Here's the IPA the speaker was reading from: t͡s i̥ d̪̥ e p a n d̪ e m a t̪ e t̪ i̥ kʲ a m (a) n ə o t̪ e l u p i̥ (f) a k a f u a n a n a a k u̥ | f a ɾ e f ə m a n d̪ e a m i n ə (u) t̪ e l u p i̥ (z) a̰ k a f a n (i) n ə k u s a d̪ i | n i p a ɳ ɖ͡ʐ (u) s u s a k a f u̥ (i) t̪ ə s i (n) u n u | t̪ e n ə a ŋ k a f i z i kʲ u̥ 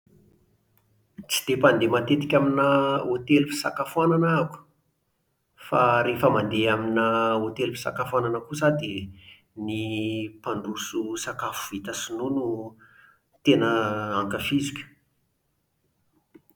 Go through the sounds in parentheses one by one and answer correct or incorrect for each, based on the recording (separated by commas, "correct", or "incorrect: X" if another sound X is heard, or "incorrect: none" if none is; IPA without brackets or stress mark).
incorrect: i, incorrect: s, incorrect: o, incorrect: s, incorrect: a, correct, correct, correct